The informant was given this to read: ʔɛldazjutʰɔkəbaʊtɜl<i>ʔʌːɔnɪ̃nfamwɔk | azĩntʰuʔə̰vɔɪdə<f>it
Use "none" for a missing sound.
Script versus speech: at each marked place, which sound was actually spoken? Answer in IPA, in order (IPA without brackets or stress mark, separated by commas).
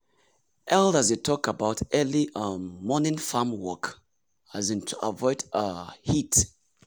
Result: i, h